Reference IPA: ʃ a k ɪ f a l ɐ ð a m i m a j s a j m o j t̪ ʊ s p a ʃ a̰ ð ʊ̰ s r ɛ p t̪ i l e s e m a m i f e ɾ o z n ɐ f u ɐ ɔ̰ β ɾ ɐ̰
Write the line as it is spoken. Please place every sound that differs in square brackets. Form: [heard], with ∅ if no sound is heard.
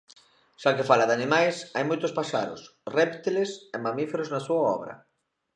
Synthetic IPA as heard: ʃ a k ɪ f a l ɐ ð a [n] i m a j s a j m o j t̪ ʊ s p a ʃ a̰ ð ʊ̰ s r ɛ p t̪ i l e s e m a m i f e ɾ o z n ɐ [s] u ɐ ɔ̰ β ɾ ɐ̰